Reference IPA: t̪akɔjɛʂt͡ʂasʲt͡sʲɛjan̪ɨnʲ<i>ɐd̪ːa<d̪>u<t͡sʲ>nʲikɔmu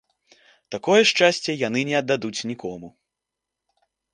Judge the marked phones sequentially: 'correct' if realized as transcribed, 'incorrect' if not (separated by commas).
incorrect, correct, correct